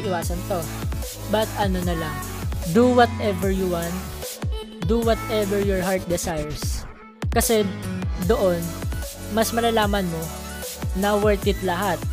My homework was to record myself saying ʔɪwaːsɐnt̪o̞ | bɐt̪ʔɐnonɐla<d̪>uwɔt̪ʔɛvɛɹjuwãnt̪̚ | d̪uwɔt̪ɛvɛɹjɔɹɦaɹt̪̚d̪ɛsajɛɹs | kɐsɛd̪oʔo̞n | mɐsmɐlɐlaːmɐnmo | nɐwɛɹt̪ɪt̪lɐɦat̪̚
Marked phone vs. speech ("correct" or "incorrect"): correct